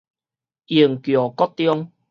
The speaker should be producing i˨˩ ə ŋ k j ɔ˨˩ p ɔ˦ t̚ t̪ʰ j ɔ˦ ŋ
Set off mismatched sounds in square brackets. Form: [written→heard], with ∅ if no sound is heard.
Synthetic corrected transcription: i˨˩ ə ŋ k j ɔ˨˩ [p→k] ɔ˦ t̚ [t̪ʰ→t̪] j ɔ˦ ŋ